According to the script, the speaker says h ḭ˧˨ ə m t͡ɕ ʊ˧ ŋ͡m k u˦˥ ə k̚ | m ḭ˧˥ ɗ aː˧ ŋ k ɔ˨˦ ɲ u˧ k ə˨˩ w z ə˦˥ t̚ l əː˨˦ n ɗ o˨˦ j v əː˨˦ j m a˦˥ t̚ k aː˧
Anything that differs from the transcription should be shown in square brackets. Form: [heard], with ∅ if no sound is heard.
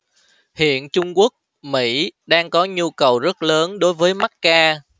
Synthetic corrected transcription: h ḭ˧˨ ə [n] t͡ɕ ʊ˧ ŋ͡m k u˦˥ ə k̚ | m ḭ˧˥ ɗ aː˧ ŋ k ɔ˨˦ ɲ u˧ k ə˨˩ w z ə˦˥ t̚ l əː˨˦ n ɗ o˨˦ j v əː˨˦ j m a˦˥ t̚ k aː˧